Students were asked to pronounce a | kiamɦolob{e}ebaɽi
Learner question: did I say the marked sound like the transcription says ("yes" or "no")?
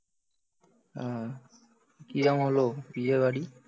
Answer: no